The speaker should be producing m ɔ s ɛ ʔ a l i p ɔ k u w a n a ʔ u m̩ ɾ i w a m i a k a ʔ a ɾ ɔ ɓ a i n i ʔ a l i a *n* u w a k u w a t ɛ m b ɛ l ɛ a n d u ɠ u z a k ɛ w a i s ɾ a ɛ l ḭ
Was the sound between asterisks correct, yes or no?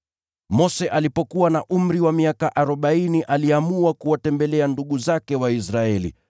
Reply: no